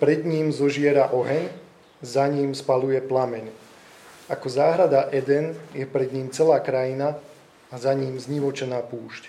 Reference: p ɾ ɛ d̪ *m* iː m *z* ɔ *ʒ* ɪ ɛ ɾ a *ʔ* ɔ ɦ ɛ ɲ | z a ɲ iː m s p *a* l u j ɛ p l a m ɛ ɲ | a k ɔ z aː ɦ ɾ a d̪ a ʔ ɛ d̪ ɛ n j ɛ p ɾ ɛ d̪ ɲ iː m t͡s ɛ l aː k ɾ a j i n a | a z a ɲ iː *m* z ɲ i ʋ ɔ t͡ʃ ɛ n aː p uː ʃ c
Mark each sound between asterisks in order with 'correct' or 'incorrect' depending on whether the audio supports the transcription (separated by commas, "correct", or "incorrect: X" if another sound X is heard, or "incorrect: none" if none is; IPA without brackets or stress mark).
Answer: incorrect: ɲ, correct, correct, correct, correct, correct